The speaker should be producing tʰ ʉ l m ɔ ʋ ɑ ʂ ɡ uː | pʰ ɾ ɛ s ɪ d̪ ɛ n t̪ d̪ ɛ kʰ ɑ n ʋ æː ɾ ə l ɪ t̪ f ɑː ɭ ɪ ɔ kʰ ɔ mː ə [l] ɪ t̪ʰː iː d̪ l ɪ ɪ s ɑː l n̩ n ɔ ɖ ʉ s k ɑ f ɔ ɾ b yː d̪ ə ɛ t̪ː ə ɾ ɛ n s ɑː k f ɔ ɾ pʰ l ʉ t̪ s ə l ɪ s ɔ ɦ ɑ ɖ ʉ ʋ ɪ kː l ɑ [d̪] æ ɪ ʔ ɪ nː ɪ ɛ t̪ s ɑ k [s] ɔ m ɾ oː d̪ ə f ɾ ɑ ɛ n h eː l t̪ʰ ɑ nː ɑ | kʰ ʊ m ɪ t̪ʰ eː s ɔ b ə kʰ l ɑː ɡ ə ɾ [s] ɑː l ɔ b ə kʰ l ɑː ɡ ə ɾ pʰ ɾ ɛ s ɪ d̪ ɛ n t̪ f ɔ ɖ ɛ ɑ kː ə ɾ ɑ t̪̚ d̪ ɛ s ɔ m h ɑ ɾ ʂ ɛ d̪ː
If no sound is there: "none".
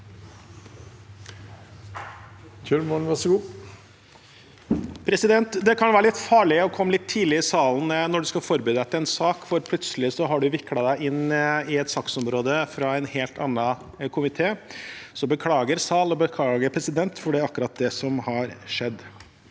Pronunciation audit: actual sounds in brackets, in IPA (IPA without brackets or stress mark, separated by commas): l, d̪, s, s